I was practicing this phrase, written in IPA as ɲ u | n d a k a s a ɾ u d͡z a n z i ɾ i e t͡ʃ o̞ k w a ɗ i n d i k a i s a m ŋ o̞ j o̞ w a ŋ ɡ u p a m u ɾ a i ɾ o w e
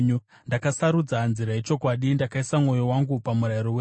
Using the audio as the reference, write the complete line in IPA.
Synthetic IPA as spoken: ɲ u | n d a k a s a ɾ u d͡z a n z i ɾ a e t͡ʃ o̞ k w a ɗ i n d a k a i s a m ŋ o̞ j o̞ w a ŋ ɡ u p a m u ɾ a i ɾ o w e